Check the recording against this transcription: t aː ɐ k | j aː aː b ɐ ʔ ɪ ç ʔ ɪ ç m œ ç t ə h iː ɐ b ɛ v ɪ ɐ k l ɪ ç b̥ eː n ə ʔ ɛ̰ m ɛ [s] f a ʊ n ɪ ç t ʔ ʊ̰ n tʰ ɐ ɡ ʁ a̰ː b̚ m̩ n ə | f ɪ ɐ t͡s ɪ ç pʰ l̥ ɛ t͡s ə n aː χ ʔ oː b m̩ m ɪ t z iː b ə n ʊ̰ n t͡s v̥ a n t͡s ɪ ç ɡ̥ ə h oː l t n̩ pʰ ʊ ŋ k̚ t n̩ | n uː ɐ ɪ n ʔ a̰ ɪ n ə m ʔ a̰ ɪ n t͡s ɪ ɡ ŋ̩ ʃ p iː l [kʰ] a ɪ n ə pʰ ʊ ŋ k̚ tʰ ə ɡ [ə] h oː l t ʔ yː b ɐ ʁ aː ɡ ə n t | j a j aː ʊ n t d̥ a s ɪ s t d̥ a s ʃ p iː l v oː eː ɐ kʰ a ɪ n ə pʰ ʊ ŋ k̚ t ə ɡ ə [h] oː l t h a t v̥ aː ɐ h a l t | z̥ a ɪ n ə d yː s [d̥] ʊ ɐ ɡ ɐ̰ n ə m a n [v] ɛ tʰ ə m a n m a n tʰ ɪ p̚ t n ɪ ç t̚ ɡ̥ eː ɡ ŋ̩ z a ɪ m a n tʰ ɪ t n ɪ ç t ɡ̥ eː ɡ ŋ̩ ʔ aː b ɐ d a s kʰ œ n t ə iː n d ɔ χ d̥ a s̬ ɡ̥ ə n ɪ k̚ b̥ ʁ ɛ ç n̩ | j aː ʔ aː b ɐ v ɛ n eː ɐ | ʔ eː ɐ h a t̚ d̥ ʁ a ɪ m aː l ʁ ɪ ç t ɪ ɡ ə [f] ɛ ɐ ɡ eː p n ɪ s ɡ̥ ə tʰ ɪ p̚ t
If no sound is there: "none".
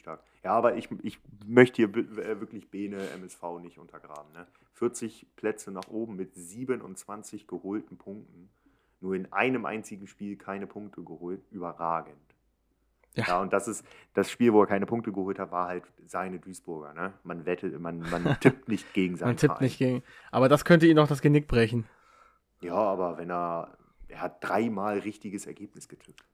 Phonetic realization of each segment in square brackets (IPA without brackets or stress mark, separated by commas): s, kʰ, ə, h, b̥, v, s